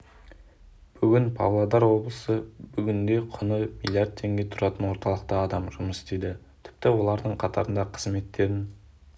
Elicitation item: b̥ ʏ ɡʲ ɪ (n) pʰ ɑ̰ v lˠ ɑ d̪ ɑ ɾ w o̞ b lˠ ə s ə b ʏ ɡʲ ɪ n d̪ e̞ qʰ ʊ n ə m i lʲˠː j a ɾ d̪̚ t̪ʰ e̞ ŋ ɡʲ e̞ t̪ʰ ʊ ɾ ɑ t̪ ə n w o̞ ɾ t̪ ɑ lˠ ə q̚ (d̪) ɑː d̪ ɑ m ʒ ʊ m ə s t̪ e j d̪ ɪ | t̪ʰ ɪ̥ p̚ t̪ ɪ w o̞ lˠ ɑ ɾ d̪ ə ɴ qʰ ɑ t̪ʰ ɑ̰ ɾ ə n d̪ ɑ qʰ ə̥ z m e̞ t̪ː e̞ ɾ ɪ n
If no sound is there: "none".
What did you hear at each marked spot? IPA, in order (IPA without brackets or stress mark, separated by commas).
n, t̪